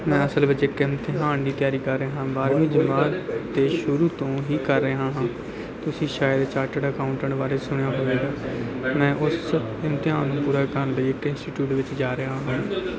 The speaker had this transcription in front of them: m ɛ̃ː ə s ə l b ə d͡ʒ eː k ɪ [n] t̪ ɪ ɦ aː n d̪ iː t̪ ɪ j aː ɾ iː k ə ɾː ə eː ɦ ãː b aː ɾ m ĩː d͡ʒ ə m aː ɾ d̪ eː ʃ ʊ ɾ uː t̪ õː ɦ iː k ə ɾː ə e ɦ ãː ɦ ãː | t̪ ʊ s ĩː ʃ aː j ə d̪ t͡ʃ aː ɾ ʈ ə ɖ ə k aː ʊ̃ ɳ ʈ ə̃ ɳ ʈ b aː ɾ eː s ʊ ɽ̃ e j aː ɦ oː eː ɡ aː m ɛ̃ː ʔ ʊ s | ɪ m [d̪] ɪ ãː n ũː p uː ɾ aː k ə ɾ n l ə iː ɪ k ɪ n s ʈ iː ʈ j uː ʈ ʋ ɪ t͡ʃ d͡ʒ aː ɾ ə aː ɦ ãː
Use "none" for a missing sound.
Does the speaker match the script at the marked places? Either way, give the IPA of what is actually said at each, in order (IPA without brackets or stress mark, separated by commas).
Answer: m, t̪